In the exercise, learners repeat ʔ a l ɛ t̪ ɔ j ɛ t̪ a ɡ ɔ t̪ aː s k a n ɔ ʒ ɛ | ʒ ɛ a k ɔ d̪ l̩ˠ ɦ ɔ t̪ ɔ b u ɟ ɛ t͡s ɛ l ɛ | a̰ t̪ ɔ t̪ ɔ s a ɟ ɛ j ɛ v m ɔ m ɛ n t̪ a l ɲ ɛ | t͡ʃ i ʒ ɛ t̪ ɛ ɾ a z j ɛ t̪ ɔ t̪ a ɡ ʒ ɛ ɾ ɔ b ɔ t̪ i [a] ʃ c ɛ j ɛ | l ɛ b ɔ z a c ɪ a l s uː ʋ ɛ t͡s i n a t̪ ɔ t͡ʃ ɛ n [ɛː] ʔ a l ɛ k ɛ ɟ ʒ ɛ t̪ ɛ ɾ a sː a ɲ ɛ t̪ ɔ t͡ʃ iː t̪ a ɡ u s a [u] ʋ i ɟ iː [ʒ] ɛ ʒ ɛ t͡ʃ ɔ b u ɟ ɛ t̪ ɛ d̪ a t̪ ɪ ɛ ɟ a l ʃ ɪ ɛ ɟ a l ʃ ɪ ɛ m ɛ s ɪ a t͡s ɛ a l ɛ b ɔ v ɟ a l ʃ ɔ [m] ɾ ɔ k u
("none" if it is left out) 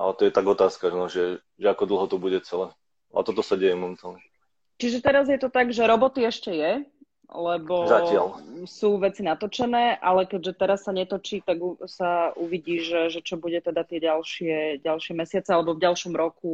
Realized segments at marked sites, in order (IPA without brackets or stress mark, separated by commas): ɛ, ɛː, u, ʒ, m